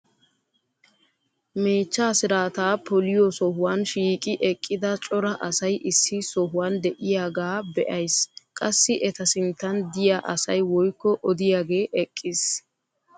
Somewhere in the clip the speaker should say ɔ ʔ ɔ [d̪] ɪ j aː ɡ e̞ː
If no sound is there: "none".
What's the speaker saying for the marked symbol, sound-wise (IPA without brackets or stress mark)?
d̪